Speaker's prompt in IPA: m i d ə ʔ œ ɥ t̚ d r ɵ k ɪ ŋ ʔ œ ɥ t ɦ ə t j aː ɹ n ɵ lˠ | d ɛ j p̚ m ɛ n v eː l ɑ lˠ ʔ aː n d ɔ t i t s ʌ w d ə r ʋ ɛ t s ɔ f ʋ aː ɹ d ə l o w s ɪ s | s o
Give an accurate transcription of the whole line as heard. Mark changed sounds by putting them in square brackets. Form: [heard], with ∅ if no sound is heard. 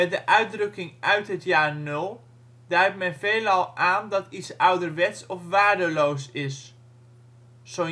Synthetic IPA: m [ɛ] d ə ʔ œ ɥ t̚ d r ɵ k ɪ ŋ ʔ œ ɥ t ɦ ə t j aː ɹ n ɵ lˠ | d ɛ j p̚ m ɛ n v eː l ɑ lˠ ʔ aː n d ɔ t i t s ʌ w d ə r ʋ ɛ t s ɔ f ʋ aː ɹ d ə l o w s ɪ s | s o